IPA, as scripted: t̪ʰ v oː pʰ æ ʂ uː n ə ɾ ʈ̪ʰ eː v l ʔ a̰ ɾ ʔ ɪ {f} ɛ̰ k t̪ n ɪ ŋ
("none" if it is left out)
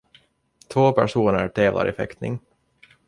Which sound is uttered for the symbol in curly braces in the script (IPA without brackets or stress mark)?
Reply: f